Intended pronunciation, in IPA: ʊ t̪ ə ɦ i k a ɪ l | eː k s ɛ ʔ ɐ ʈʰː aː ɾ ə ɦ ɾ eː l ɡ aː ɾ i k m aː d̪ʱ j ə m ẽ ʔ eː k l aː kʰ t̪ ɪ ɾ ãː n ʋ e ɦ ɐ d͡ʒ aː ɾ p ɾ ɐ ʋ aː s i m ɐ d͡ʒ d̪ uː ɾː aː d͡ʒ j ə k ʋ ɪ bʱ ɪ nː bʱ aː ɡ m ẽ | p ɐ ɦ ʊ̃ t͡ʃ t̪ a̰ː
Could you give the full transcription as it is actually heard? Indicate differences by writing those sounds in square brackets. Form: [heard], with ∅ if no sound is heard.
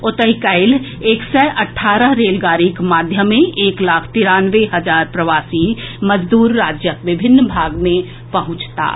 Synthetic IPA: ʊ t̪ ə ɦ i k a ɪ l | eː k s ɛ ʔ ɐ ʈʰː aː ɾ ə ɦ ɾ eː l ɡ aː ɾ i k m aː d̪ʱ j ə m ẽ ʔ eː k l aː kʰ t̪ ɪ ɾ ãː n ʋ e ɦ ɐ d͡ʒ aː ɾ p ɾ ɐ ʋ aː s i m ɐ d͡ʒ d̪ uː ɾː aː d͡ʒ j ə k ʋ ɪ bʱ ɪ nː bʱ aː ɡ m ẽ | p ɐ ɦ ʊ̃ t͡ʃ t̪ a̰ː